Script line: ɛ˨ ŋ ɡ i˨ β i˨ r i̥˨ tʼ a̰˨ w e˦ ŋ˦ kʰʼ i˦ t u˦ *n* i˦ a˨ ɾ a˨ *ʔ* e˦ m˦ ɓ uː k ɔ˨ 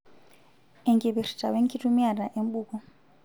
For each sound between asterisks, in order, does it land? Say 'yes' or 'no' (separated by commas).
no, yes